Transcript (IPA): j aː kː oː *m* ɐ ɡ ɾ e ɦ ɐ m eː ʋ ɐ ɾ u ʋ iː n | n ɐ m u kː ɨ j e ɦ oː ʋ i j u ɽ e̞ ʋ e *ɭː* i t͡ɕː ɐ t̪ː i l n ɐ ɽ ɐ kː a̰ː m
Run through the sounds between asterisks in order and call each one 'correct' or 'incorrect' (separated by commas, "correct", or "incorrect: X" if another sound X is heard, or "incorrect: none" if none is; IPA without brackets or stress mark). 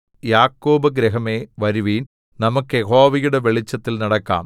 incorrect: b, incorrect: ɭ